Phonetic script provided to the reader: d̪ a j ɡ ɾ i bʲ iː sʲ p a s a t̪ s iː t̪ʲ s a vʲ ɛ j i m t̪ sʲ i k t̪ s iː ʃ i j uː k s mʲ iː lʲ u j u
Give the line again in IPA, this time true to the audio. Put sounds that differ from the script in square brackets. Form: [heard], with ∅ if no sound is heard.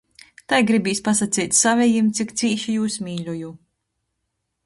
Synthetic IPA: [t̪] a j ɡ ɾ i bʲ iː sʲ p a s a t̪ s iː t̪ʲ s a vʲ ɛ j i m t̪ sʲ i k t̪ s iː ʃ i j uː [∅] s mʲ iː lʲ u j u